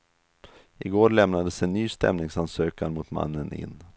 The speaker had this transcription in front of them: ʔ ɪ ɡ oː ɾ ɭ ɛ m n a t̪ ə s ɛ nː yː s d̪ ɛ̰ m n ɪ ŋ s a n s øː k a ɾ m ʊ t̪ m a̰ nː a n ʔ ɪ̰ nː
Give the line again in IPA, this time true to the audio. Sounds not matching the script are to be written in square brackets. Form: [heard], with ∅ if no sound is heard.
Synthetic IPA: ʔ ɪ ɡ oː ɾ ɭ ɛ m n a [d̪] ə s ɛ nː yː s [t̪] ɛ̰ m n ɪ ŋ s a n s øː k a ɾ m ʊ t̪ m a̰ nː [ə] n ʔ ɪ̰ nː